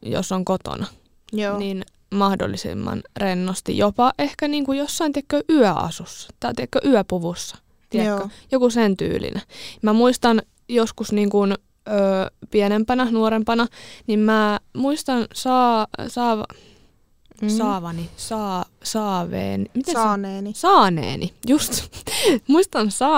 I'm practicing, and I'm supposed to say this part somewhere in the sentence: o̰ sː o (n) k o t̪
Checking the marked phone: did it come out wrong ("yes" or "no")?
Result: yes